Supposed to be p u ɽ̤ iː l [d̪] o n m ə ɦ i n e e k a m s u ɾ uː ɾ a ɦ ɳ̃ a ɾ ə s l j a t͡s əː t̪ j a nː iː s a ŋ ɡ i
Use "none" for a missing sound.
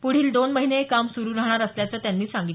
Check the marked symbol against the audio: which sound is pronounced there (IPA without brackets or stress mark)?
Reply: d̪